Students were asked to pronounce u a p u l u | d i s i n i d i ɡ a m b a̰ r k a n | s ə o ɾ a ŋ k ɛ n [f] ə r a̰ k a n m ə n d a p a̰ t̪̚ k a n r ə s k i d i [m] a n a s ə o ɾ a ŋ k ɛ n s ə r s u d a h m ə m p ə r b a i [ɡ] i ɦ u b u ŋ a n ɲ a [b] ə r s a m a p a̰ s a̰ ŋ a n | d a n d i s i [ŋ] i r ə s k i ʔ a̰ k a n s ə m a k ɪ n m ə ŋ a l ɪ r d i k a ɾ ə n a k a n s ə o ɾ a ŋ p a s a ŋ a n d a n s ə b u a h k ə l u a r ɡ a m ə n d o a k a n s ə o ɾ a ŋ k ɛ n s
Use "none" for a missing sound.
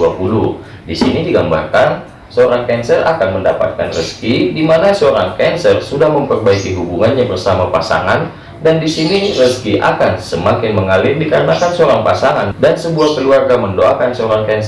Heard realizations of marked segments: s, m, k, b, n

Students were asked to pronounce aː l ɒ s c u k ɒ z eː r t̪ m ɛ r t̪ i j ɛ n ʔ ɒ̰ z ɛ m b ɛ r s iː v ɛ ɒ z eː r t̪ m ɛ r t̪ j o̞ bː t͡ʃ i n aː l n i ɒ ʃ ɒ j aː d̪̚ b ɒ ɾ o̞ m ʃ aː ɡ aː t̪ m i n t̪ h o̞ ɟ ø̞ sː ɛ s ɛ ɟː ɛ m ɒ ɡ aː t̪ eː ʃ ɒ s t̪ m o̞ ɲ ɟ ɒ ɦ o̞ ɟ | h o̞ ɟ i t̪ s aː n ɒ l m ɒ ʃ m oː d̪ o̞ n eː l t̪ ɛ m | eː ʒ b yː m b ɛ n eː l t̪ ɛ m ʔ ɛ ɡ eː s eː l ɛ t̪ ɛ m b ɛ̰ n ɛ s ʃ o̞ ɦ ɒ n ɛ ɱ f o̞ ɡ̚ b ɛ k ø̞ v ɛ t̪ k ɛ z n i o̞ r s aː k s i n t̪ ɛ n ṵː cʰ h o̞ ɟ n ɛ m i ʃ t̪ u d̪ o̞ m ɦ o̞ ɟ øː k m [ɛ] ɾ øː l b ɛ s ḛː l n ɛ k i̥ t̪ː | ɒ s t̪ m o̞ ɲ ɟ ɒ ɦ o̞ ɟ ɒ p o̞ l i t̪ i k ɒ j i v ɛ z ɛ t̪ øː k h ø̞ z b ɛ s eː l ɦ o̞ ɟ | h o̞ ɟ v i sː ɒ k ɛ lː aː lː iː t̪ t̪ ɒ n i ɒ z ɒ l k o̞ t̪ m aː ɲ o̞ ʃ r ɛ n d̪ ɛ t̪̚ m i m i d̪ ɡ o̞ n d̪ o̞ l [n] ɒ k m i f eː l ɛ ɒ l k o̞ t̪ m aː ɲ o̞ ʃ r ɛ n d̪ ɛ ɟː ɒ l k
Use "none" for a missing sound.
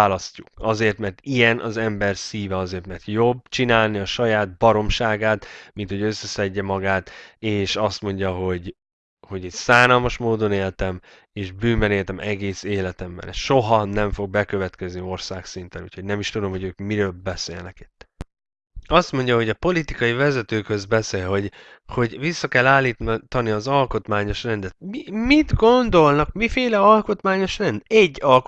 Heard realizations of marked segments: i, n

